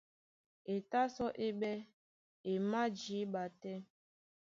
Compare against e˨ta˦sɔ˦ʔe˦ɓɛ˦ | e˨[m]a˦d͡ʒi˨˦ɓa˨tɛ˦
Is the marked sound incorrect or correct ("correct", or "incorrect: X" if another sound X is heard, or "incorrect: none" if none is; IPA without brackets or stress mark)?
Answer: correct